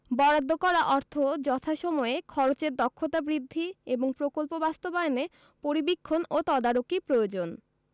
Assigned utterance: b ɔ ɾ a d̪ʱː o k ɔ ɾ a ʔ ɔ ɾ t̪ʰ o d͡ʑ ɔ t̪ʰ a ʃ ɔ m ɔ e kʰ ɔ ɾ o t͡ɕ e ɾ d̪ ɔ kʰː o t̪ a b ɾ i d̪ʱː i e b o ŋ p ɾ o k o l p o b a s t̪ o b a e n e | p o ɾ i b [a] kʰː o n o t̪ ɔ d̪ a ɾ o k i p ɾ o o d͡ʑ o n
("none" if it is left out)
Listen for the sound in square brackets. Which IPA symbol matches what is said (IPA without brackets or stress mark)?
i